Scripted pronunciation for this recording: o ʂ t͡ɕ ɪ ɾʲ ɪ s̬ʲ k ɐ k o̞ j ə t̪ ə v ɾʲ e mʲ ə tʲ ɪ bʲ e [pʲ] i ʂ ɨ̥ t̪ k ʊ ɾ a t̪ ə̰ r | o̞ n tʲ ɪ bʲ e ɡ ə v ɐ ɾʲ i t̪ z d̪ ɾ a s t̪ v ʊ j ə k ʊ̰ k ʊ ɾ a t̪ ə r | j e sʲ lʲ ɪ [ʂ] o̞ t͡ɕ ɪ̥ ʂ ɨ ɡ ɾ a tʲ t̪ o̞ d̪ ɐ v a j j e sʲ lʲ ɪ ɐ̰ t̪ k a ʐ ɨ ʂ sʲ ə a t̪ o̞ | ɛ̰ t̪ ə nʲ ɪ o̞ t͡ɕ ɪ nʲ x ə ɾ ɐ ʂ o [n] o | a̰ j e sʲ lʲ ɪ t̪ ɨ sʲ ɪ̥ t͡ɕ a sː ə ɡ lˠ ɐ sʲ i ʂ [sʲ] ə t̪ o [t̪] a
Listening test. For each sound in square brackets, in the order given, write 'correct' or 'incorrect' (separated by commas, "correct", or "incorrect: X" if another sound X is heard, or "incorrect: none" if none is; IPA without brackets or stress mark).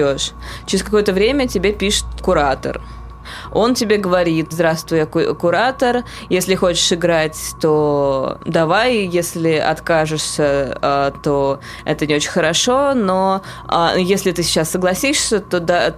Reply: correct, incorrect: x, correct, correct, incorrect: d̪